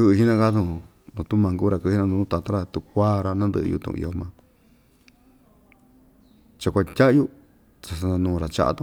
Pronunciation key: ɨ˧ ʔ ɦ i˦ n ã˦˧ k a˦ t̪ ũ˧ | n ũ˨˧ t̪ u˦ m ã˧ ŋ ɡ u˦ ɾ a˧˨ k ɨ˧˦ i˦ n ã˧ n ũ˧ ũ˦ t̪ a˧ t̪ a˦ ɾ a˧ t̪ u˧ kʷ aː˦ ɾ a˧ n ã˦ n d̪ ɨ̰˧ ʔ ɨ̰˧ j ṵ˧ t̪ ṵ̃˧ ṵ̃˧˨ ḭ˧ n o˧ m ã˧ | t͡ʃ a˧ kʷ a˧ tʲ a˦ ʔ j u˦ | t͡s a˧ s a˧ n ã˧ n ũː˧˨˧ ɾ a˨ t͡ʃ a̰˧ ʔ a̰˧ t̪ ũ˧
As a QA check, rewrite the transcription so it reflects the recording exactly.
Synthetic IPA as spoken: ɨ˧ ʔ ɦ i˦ n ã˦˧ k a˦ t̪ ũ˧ | n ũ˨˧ t̪ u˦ m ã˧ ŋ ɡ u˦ ɾ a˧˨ k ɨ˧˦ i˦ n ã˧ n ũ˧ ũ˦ t̪ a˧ t̪ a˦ ɾ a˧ t̪ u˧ kʷ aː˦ ɾ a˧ n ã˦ n d̪ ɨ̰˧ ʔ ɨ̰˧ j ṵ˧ t̪ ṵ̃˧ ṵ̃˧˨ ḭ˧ o˧ m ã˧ | t͡ʃ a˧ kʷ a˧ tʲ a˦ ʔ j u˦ | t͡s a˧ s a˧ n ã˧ n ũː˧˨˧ ɾ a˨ t͡ʃ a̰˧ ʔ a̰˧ t̪ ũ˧